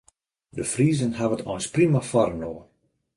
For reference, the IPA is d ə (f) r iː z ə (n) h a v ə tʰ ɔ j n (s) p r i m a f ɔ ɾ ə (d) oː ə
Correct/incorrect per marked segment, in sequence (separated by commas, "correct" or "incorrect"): correct, correct, correct, incorrect